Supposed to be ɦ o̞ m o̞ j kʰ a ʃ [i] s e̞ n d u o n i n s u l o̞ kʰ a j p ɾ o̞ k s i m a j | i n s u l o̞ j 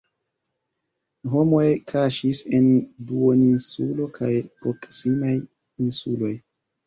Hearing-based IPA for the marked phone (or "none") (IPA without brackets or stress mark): i